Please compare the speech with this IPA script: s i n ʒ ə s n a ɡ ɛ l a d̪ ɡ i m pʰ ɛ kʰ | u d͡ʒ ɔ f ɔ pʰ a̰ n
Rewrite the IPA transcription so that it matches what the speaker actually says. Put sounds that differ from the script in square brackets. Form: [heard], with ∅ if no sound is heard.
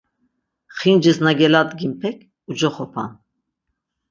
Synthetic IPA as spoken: [χ] i n [d͡ʒ] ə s n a ɡ ɛ l a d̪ ɡ i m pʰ ɛ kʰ | u d͡ʒ ɔ [χ] ɔ pʰ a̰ n